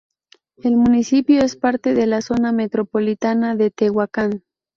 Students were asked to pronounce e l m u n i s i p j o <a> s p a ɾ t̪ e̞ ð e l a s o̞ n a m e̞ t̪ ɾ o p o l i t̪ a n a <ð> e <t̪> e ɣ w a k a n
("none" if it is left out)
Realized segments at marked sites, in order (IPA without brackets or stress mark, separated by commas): e, ð, t̪